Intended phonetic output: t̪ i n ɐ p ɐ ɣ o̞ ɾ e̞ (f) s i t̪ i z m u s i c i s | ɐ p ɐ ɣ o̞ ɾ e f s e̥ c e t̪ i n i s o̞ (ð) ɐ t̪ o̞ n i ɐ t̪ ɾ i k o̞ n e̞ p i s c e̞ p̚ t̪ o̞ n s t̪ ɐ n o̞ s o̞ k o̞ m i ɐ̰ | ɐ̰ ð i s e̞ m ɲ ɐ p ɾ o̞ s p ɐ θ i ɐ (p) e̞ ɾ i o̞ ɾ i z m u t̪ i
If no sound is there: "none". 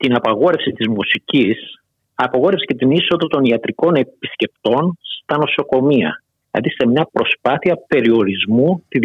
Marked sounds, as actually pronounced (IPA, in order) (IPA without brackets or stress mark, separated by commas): f, ð, p